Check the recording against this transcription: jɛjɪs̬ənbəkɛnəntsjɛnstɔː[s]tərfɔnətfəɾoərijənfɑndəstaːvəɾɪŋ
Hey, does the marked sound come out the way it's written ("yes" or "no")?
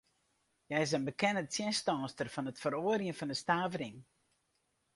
yes